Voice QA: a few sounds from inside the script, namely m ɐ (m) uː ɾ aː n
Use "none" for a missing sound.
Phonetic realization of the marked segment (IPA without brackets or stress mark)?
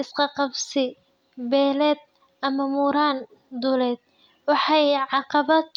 m